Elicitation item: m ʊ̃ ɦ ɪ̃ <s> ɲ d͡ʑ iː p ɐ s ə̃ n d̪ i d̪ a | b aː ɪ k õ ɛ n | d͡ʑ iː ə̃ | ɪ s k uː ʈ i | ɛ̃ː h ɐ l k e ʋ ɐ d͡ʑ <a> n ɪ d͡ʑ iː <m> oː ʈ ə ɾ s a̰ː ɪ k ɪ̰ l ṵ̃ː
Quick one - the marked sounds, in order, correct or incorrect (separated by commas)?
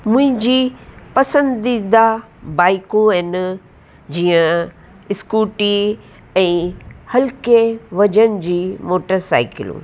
incorrect, incorrect, correct